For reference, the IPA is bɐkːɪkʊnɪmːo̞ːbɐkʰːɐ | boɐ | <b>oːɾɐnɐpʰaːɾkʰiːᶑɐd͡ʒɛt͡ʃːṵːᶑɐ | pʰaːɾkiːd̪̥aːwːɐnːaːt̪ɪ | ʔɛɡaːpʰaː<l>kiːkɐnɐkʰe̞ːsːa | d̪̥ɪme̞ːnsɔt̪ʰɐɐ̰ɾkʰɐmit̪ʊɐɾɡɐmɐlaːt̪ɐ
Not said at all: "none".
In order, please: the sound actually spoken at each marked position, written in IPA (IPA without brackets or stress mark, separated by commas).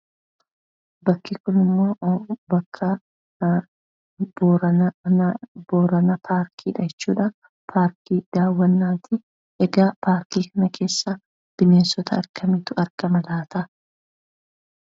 b, ɾ